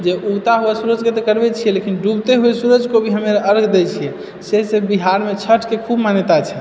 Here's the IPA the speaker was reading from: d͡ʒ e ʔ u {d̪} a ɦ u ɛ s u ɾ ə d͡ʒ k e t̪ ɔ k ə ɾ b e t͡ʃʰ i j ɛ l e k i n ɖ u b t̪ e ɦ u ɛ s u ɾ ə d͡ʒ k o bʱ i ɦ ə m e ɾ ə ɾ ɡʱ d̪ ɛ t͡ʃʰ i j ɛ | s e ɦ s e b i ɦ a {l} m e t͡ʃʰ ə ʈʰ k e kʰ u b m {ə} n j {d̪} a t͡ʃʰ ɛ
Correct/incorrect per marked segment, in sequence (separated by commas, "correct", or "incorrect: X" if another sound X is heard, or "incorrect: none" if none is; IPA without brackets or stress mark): incorrect: t̪, incorrect: ɾ, incorrect: a, incorrect: t̪